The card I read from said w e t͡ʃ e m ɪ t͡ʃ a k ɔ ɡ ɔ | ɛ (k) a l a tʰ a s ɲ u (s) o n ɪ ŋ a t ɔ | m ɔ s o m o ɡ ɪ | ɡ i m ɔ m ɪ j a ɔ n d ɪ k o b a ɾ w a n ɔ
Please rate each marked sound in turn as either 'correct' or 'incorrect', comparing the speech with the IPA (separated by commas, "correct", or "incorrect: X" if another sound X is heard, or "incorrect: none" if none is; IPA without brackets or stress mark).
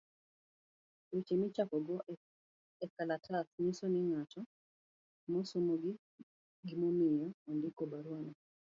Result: correct, correct